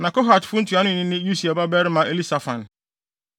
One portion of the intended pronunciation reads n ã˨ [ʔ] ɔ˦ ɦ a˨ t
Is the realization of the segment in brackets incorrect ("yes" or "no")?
yes